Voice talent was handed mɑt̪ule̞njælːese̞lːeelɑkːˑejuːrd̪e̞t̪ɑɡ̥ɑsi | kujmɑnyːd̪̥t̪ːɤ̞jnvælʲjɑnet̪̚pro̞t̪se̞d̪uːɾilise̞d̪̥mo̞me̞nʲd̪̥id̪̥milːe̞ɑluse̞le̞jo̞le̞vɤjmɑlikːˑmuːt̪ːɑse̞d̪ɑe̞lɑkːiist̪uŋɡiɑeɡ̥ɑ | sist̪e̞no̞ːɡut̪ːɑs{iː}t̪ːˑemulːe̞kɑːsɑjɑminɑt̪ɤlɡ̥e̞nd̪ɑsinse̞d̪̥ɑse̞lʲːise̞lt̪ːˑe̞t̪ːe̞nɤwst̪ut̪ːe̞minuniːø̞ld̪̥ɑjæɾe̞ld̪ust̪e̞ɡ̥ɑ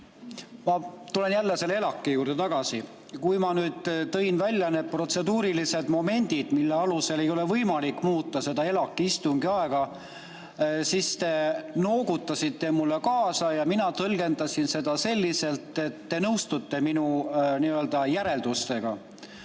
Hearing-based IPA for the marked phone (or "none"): i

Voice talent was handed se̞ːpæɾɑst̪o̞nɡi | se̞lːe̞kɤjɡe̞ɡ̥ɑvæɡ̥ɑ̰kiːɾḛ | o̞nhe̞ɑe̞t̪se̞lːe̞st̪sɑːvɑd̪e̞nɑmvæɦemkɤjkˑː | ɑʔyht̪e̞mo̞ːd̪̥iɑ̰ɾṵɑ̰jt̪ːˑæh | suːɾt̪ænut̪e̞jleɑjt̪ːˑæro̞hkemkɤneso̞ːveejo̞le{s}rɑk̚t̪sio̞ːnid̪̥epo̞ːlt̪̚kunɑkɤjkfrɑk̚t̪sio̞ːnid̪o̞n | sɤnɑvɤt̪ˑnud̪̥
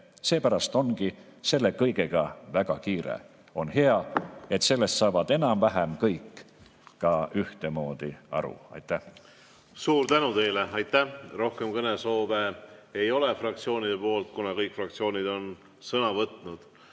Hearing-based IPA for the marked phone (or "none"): f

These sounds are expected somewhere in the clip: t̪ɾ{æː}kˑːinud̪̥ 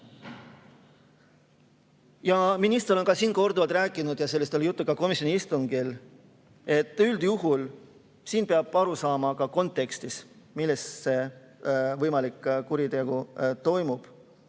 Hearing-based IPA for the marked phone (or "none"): æː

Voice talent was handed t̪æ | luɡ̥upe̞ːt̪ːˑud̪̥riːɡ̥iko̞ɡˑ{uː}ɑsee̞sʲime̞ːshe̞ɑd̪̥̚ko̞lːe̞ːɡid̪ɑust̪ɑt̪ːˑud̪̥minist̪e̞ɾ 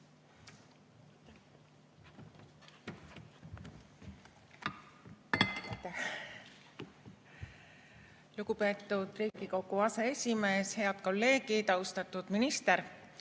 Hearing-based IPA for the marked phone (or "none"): u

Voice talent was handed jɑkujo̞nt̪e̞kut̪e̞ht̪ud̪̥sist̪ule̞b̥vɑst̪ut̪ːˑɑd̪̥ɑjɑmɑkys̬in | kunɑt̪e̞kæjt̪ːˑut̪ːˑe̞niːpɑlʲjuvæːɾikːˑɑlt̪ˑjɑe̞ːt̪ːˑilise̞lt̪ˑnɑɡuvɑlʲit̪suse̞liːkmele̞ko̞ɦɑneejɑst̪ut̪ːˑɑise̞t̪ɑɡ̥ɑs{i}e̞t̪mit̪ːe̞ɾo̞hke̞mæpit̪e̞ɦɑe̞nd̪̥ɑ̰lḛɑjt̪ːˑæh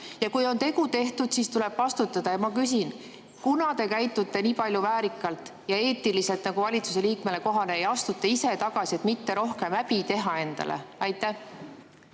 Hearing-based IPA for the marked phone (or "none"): i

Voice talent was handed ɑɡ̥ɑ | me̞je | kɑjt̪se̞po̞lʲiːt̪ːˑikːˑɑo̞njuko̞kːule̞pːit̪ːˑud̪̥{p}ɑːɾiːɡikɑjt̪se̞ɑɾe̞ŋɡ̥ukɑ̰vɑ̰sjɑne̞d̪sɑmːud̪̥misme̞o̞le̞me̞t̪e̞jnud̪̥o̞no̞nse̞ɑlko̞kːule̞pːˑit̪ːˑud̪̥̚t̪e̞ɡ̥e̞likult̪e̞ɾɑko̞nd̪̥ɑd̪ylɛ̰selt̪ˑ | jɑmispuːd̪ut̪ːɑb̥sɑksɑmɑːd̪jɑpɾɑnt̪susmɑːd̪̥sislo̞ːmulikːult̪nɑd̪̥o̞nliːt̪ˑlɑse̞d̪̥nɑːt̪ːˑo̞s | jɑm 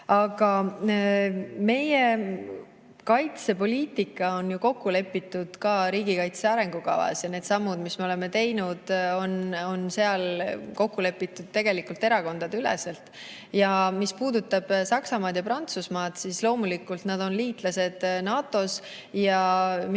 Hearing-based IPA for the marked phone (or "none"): k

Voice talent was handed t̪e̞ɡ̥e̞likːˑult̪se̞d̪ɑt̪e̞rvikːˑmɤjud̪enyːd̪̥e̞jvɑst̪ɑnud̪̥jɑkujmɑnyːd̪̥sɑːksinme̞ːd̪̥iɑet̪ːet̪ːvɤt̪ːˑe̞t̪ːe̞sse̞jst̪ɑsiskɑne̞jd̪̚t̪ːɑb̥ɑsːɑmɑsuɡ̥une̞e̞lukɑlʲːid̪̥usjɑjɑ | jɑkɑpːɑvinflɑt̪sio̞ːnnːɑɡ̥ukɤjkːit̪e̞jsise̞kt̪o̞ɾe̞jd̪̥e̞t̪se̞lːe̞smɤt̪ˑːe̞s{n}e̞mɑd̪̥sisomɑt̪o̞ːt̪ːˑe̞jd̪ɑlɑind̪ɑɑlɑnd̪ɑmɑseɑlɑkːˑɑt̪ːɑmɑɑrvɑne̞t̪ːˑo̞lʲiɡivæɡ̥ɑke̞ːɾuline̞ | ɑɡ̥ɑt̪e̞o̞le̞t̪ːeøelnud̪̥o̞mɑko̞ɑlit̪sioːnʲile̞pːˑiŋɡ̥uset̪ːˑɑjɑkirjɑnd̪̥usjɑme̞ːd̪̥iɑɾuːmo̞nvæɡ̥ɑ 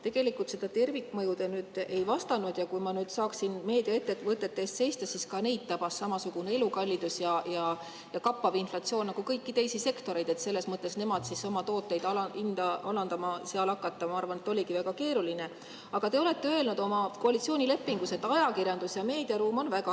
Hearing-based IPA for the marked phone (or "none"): n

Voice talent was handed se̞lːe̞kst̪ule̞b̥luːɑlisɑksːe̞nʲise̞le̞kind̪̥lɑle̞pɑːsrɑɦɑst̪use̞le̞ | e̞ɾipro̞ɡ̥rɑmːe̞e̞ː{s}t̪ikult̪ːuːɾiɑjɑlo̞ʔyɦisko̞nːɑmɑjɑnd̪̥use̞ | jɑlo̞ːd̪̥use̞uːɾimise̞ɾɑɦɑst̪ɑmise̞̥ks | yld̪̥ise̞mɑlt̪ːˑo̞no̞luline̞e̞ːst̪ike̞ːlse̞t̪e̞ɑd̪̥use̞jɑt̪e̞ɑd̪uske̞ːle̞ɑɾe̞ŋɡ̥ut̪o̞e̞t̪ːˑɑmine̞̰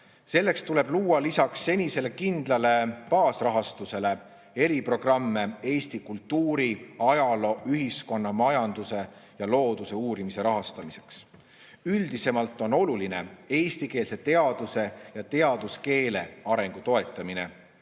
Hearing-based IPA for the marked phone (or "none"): s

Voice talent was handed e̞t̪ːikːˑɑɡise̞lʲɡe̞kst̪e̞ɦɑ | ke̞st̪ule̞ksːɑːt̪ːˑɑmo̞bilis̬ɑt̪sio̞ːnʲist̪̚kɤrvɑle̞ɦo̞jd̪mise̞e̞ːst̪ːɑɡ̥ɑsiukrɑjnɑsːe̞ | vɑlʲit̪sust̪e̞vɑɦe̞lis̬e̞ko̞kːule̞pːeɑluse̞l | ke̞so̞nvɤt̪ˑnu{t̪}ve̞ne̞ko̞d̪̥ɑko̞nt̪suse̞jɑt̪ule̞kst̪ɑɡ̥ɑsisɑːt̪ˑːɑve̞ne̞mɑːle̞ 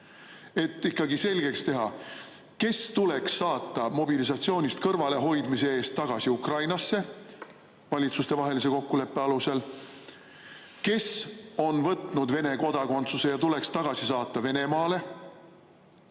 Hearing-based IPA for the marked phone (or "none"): d̪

